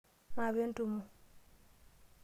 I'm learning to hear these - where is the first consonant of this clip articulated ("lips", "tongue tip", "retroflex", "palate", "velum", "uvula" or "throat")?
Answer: lips